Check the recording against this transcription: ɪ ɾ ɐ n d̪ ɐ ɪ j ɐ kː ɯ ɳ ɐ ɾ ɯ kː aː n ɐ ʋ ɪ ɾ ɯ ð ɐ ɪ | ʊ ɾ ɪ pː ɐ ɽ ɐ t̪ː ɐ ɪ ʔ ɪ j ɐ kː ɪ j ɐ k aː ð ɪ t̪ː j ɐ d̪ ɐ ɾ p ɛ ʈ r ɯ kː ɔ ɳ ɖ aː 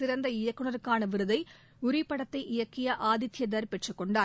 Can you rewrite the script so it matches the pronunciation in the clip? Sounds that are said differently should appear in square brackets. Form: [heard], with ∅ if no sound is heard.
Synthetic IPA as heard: ɪ ɾ ɐ n d̪ ɐ ɪ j ɐ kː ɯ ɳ ɐ ɾ ɯ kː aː n ɐ ʋ ɪ ɾ ɯ ð ɐ ɪ | ʊ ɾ ɪ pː ɐ ɽ ɐ t̪ː ɐ ɪ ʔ ɪ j ɐ kː ɪ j ɐ [ʔ] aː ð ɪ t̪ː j ɐ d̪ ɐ ɾ p ɛ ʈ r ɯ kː ɔ ɳ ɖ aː